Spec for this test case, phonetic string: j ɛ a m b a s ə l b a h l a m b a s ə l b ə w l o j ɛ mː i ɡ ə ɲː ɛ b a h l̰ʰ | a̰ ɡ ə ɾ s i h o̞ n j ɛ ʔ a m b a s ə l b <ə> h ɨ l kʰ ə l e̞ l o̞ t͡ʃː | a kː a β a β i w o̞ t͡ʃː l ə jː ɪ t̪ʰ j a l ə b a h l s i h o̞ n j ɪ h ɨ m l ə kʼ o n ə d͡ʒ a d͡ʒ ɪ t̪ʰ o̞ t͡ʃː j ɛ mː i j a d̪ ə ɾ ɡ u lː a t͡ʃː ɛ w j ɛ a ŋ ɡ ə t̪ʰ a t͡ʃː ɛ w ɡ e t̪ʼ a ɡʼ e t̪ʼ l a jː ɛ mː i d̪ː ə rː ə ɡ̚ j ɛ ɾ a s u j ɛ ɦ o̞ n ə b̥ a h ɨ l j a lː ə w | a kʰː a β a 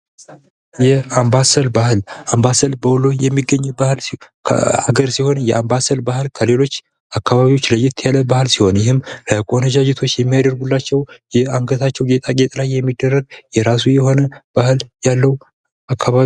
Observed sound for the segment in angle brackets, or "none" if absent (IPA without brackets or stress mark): a